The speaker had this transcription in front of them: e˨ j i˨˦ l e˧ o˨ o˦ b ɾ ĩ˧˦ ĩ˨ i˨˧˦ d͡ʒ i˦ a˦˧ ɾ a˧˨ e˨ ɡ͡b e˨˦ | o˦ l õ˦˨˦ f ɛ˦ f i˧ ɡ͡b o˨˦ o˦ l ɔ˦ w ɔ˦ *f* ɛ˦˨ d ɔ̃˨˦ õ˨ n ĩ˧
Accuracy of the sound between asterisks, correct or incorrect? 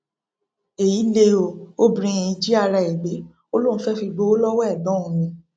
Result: incorrect